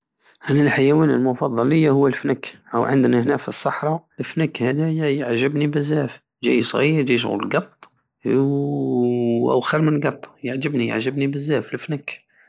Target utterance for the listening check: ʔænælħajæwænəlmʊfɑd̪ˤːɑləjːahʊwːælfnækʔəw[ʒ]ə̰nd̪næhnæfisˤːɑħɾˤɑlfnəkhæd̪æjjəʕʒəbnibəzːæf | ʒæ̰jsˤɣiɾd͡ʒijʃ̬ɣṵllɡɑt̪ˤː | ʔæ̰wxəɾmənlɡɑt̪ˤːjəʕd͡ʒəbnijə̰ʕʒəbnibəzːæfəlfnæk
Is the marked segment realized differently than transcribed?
yes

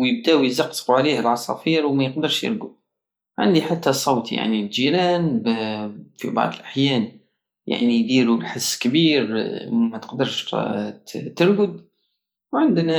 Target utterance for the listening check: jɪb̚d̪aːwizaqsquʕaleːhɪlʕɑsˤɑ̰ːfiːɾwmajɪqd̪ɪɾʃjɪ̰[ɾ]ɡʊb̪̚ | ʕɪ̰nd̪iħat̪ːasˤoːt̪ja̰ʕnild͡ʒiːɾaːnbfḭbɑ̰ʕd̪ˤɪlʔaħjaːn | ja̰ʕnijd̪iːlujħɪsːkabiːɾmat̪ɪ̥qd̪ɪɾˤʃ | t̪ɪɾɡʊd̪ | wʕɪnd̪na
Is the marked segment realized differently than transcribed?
no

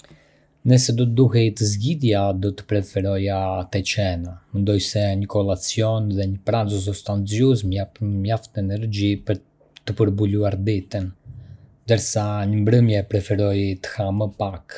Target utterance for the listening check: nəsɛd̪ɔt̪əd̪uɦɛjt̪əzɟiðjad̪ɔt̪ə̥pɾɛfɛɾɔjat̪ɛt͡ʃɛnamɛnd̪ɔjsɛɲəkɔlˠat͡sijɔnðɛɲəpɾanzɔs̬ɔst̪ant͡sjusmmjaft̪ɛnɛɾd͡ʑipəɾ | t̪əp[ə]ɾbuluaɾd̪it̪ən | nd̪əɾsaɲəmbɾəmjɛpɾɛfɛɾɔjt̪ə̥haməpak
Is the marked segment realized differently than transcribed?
no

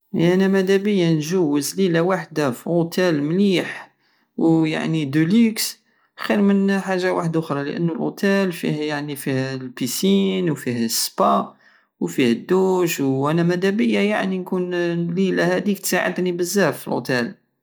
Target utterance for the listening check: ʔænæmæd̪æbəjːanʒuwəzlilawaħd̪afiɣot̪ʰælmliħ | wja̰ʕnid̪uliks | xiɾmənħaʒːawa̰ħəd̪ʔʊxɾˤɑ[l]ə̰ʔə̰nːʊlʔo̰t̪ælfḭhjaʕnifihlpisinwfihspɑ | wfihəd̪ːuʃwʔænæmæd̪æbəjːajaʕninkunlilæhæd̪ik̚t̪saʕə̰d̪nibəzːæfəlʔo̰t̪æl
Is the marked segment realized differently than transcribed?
no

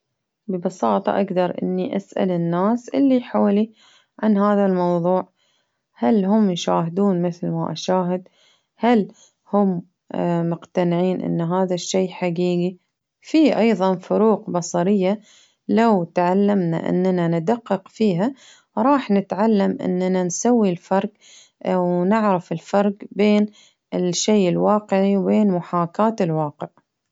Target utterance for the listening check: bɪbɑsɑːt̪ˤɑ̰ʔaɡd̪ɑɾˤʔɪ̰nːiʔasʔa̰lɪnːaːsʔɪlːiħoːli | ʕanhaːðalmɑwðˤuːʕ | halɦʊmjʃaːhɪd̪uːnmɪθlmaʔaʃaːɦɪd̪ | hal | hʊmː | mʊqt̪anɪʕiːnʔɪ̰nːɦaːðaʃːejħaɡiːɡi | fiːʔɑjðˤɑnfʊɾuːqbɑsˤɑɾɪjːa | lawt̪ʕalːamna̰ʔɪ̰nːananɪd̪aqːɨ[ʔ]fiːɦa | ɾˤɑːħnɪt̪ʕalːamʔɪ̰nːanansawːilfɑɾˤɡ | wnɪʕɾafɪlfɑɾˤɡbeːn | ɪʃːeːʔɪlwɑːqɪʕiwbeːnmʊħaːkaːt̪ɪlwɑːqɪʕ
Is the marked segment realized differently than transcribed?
yes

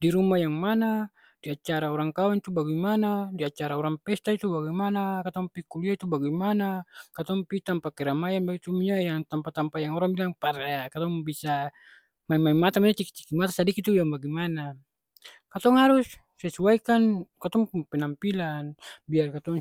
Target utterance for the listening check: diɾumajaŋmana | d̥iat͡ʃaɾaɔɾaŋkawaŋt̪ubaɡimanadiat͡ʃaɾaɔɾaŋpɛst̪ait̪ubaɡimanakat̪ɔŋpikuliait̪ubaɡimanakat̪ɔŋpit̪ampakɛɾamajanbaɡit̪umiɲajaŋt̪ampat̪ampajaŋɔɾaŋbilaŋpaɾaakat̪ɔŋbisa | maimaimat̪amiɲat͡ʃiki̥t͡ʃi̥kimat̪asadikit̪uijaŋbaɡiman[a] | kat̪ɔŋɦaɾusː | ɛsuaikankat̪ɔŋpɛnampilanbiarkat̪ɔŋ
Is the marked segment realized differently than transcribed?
no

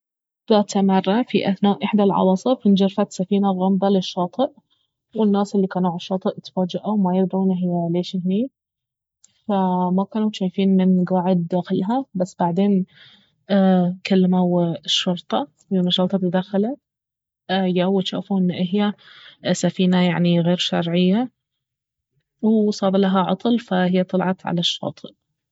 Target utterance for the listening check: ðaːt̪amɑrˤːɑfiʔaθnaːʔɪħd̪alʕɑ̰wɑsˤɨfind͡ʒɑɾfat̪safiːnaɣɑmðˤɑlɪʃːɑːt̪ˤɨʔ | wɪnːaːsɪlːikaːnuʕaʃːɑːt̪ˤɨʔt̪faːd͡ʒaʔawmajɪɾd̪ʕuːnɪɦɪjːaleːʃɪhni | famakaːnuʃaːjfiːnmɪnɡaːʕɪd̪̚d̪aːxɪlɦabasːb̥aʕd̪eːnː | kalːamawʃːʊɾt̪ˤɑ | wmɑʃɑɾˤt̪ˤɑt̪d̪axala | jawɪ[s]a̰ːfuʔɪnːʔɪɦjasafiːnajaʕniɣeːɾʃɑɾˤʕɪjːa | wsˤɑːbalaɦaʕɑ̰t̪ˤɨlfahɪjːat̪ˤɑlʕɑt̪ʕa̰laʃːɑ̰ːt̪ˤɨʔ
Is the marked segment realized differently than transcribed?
yes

